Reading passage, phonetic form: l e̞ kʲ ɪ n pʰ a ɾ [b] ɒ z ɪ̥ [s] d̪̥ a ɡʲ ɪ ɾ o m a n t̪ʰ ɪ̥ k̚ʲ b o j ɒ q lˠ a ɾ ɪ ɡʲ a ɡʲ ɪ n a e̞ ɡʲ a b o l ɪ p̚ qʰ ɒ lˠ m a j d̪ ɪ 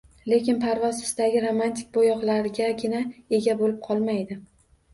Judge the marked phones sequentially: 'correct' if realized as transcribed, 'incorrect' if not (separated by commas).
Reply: incorrect, correct